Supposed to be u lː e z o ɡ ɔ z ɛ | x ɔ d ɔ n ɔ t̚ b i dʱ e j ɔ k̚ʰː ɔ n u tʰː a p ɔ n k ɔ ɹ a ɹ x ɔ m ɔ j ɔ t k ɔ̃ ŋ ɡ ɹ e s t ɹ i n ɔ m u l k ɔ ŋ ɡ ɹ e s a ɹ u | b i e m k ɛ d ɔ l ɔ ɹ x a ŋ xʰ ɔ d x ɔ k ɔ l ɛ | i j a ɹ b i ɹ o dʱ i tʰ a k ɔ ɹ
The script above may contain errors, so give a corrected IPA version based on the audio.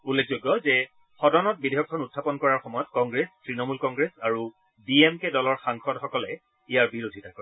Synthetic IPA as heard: u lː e z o ɡ ɔ z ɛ | x ɔ d ɔ n ɔ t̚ b i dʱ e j ɔ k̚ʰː ɔ n u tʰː a p ɔ n k ɔ ɹ a ɹ x ɔ m ɔ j ɔ t k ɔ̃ ŋ ɡ ɹ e s t ɹ i n ɔ m u l k ɔ ŋ ɡ ɹ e s a ɹ u | b i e m k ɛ d ɔ l ɔ ɹ x a ŋ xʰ ɔ d x ɔ k ɔ l ɛ | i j a ɹ b i ɹ o dʱ i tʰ a k ɔ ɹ